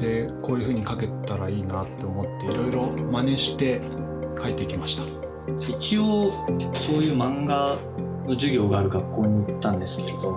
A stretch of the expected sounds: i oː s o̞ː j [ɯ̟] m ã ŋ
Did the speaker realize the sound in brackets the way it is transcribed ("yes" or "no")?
no